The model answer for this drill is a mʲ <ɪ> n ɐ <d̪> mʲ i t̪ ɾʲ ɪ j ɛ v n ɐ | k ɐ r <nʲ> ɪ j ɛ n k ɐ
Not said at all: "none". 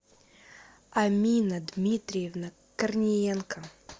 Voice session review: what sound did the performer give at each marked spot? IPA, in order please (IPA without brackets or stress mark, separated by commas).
i, d̪, nʲ